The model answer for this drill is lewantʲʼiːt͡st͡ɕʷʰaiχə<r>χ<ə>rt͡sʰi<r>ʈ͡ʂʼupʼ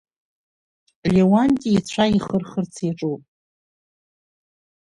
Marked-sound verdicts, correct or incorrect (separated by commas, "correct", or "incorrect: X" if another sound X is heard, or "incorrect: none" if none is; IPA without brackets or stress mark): correct, correct, incorrect: none